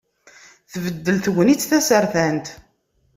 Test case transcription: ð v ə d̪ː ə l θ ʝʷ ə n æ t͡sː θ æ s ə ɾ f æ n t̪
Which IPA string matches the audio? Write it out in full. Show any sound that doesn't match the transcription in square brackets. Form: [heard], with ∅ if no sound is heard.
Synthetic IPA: [θ] v ə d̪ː ə l θ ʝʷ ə n [i] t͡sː θ æ s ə ɾ [θ] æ n t̪